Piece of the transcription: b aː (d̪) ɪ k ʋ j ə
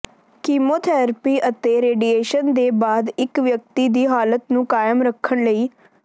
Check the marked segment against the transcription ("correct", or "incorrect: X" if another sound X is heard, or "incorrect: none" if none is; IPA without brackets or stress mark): correct